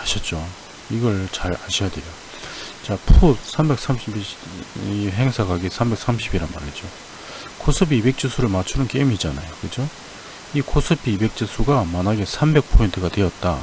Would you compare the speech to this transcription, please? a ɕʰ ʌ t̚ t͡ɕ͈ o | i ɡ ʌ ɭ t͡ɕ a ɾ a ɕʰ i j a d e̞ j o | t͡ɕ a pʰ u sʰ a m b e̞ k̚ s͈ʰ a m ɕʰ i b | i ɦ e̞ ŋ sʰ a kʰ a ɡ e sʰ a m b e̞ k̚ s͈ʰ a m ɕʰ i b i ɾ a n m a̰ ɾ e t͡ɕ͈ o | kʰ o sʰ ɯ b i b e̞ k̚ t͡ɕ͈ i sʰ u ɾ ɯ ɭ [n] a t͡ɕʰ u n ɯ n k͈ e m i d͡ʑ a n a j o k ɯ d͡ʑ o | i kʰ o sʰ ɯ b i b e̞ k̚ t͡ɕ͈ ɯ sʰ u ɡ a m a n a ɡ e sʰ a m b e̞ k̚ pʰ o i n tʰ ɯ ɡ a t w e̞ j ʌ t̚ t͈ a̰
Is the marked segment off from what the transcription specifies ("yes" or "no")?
yes